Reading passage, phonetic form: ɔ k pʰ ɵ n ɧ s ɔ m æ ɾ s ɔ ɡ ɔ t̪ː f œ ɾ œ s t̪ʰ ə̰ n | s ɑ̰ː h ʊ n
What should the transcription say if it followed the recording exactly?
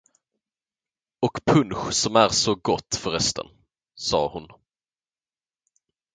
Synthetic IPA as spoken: ɔ k pʰ ɵ n ɧ s ɔ m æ ɾ s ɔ ɡ ɔ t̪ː f œ ɾ ɛ s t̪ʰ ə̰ n | s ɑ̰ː h ʊ n